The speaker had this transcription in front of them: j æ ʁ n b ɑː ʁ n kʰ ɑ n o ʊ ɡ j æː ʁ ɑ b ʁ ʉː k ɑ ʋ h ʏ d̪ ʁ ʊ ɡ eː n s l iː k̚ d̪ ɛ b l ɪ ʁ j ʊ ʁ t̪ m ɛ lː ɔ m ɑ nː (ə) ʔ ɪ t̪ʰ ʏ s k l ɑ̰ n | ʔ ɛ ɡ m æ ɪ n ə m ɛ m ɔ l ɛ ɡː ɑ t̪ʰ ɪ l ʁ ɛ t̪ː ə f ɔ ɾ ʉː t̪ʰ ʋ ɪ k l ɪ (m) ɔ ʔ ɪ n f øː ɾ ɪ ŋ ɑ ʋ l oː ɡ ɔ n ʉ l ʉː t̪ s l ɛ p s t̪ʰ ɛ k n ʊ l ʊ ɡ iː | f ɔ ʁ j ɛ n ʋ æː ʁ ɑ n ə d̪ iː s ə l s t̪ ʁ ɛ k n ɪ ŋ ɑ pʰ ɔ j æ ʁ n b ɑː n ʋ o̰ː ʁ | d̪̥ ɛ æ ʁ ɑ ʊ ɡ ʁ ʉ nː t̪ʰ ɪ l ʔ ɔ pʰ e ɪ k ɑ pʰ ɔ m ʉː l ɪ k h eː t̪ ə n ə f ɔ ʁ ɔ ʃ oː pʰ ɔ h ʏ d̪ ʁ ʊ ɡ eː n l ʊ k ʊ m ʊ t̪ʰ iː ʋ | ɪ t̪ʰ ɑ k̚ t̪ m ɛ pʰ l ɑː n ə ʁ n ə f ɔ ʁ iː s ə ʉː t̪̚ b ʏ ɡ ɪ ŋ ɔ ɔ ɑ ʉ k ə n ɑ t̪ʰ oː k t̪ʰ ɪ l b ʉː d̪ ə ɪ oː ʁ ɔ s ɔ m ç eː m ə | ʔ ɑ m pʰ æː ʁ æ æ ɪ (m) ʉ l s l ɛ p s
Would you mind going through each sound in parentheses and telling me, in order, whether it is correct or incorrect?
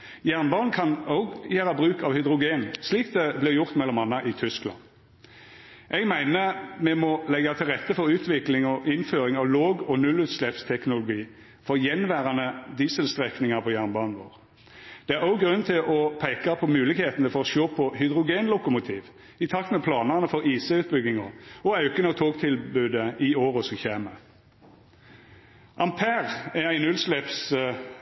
incorrect: ɑ, incorrect: ŋ, incorrect: n

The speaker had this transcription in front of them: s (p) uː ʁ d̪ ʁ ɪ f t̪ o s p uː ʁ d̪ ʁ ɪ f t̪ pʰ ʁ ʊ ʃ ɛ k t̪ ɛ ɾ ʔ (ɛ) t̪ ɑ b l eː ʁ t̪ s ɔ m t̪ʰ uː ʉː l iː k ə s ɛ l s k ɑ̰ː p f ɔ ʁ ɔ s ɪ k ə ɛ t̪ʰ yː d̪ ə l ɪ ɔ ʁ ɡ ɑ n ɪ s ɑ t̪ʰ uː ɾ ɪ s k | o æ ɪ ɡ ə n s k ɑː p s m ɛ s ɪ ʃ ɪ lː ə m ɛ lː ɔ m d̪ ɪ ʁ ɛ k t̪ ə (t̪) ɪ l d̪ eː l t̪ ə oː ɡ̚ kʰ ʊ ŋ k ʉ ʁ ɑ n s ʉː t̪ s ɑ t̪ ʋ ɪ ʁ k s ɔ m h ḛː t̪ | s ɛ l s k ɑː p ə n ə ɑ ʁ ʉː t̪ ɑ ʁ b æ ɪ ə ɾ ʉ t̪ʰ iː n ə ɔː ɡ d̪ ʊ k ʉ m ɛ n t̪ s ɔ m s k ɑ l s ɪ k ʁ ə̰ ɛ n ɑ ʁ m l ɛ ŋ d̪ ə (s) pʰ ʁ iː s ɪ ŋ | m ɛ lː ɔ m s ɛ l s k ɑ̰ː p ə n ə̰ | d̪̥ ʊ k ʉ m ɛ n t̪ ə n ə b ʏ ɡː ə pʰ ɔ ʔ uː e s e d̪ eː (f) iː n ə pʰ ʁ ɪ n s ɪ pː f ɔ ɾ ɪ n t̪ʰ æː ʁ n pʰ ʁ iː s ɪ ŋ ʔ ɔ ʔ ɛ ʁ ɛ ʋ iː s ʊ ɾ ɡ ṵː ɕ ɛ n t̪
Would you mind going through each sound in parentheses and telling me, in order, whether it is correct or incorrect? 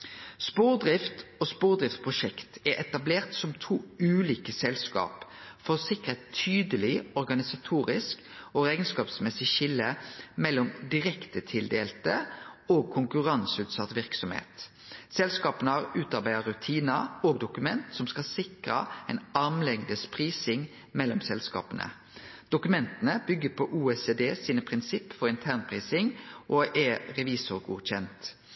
correct, correct, incorrect: t̪ʰ, correct, incorrect: s

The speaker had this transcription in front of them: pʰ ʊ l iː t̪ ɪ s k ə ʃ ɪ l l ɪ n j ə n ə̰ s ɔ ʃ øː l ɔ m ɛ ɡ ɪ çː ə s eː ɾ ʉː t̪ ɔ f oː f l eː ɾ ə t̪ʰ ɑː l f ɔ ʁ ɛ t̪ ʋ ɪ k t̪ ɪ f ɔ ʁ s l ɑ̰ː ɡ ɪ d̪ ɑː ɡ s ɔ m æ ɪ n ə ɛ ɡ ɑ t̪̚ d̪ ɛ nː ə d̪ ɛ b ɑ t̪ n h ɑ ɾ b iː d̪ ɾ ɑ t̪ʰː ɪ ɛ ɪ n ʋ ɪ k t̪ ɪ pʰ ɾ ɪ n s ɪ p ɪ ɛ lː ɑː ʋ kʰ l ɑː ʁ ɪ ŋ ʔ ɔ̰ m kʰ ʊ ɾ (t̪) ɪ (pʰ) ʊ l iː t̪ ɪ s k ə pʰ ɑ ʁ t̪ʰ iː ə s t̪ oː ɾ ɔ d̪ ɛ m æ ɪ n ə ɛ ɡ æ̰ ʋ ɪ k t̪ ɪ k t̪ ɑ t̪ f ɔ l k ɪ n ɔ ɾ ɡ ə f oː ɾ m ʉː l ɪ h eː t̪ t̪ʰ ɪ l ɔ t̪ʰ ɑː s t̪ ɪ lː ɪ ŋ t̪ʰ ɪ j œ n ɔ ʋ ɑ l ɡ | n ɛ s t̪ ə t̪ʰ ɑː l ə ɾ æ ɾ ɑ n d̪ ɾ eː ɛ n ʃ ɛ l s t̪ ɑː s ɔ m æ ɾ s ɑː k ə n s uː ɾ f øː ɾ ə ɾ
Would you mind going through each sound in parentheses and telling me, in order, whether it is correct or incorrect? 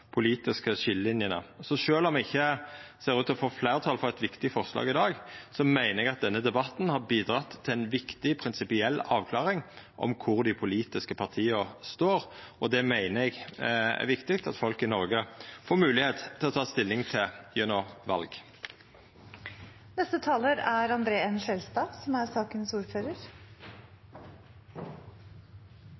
incorrect: d̪, correct

